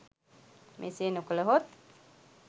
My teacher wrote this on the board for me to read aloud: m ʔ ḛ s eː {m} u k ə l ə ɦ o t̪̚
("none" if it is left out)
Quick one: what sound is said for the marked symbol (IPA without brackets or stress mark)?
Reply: n